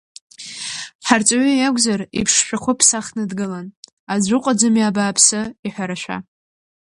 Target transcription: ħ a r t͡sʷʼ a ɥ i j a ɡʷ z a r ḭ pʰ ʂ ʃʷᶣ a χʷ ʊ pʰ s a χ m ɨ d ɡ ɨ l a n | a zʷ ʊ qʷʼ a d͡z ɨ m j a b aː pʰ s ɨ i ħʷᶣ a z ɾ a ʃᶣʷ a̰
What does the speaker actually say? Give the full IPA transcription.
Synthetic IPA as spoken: ħ a r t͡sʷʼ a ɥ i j a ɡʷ z a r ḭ pʰ ʂ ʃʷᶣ a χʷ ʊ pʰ s a χ n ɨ d ɡ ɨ l a n | a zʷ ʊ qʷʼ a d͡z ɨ m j a b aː pʰ s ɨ i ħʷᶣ a ɾ a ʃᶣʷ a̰